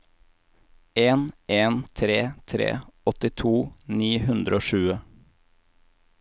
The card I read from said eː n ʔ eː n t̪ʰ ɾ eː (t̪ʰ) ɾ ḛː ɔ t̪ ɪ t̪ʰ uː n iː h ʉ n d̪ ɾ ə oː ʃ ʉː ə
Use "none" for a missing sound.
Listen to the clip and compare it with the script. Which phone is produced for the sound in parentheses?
t̪ʰ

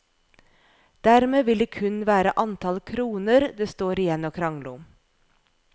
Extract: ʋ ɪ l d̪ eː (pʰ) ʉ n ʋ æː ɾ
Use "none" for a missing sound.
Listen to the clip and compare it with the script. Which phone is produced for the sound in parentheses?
kʰ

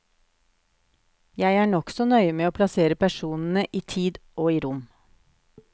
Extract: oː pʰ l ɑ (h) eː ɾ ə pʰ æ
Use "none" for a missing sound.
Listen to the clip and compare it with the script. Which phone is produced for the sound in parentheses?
s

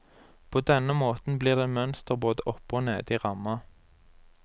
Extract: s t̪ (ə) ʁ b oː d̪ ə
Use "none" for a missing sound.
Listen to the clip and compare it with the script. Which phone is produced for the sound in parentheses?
ə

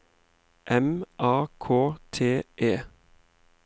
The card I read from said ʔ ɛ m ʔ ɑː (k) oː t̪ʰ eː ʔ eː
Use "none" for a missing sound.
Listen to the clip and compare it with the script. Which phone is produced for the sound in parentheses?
kʰ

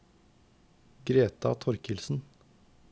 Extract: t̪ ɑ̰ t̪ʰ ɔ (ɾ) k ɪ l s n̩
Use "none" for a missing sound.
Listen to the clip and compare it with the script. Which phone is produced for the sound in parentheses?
ɾ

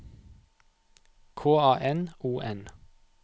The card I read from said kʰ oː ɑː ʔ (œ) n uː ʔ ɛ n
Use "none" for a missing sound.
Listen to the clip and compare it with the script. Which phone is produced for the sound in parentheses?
ɛ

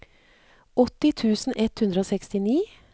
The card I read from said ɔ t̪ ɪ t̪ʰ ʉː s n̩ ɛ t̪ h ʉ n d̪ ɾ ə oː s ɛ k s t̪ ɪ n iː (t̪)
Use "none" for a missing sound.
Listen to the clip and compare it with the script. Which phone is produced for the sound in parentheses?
none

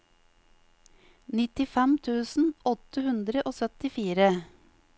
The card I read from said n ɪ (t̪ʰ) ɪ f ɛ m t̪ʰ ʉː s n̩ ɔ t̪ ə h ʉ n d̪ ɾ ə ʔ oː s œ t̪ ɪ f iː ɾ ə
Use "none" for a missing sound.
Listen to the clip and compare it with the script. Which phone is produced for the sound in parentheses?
t̪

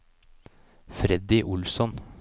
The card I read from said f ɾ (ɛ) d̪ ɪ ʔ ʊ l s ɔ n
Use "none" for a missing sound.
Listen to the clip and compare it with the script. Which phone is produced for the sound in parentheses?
ɛ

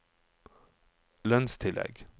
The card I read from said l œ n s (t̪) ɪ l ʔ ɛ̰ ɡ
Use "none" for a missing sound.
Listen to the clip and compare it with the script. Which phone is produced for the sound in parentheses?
t̪ʰ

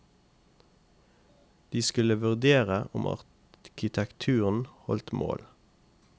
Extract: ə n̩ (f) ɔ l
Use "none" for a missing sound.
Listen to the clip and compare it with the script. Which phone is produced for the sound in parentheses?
h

